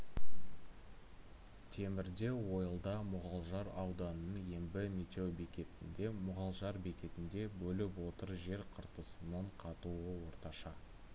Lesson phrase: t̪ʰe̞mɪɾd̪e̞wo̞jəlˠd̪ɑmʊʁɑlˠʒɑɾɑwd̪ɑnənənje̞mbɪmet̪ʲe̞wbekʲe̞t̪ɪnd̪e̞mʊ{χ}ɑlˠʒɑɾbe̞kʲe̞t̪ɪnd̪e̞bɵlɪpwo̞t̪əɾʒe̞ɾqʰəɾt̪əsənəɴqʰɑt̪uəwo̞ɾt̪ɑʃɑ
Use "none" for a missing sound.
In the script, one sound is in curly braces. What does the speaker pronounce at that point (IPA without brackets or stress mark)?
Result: ʁ